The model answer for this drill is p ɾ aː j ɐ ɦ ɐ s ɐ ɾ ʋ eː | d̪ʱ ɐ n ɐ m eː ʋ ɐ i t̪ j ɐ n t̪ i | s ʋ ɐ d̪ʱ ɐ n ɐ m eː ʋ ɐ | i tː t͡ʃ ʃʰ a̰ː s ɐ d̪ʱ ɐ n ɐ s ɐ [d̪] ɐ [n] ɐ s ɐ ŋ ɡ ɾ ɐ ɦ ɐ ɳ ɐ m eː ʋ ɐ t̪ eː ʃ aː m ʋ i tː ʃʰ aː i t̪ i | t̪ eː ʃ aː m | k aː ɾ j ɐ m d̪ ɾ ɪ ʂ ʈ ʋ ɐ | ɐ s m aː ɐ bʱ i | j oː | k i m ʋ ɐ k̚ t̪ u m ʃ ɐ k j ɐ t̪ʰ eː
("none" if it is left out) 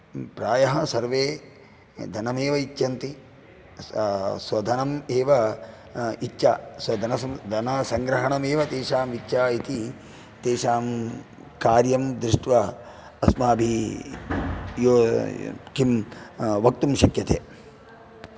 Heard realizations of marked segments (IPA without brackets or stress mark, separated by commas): d̪, n